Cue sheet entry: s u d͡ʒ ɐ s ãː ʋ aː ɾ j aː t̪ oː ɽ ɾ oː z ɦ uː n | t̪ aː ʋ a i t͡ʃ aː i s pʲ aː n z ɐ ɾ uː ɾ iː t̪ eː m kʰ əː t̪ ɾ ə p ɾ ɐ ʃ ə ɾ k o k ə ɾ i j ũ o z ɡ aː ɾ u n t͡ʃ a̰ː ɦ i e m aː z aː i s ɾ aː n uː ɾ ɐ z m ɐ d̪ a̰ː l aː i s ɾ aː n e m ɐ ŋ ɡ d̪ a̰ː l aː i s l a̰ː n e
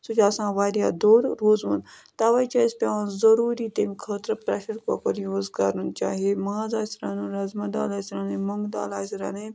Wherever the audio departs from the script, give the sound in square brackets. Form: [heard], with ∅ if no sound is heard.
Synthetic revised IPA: s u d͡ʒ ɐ s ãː ʋ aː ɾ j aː [d̪] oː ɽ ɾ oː z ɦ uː n | t̪ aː ʋ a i t͡ʃ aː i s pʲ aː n z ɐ ɾ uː ɾ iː t̪ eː m kʰ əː t̪ ɾ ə p ɾ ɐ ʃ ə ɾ k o k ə ɾ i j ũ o z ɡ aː ɾ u n t͡ʃ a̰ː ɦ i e m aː z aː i s ɾ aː n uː ɾ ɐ z m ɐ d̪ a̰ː l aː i s ɾ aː n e m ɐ ŋ ɡ d̪ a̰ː l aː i s [ɾ] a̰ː n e